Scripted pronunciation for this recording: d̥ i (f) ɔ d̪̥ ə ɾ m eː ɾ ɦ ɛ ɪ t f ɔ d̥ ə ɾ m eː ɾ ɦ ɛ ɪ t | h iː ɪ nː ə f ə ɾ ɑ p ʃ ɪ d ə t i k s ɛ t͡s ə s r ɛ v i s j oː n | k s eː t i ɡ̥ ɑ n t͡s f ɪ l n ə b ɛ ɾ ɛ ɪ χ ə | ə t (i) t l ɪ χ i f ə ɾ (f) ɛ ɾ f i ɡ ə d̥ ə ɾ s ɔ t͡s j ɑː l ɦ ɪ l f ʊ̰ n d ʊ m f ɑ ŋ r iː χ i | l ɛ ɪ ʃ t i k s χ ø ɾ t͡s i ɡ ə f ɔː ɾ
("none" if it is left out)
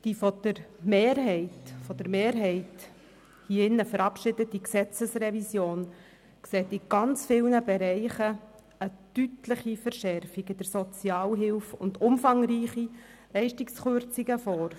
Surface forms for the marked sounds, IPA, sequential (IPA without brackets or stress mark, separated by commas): f, y, ʃ